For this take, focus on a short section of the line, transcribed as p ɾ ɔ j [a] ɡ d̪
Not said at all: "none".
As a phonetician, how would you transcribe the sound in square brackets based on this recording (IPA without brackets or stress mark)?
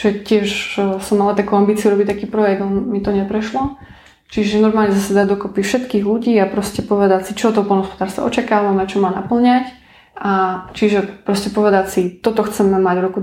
ɛ